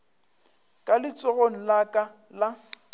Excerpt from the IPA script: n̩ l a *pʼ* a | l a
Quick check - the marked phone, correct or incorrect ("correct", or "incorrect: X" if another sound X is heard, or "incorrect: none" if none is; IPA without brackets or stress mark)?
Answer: incorrect: kʼ